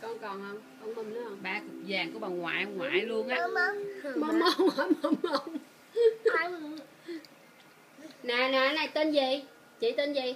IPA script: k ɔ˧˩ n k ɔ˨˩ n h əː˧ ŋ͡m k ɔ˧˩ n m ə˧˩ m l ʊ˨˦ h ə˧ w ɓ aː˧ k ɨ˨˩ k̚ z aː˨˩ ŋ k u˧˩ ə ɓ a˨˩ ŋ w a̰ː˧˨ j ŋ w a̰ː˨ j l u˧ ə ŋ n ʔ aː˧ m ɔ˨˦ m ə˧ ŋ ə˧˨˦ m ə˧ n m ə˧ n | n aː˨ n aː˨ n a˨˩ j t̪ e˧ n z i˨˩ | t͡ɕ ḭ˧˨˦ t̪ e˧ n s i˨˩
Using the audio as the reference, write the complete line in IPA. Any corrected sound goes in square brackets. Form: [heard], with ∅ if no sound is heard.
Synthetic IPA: k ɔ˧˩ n k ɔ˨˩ n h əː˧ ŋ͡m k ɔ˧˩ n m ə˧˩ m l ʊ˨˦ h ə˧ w ɓ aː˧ k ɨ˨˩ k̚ z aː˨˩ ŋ k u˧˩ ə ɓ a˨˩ ŋ w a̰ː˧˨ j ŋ w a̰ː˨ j l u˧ ə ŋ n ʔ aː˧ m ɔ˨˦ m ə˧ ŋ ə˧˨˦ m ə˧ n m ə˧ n | n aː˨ n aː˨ n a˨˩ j t̪ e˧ n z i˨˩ | t͡ɕ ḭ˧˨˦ t̪ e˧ n [z] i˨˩